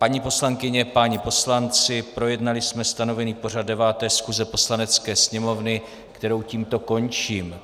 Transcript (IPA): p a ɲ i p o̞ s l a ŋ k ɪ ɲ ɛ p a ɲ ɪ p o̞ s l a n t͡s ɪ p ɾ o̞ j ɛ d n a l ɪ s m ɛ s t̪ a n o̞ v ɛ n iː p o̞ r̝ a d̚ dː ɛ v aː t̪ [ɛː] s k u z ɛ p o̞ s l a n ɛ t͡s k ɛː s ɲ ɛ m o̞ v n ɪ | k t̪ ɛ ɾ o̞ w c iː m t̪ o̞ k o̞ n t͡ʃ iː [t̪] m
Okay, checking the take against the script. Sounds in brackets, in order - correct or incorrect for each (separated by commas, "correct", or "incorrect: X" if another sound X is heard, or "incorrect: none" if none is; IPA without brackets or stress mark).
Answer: correct, incorrect: none